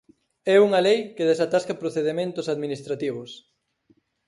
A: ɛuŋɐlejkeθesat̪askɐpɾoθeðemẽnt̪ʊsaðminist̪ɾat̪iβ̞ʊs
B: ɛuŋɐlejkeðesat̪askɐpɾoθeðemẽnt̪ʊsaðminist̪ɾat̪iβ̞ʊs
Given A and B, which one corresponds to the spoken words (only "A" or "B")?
B